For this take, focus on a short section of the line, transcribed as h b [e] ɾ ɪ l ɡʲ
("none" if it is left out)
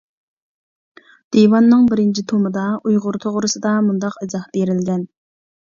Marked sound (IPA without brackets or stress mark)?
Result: e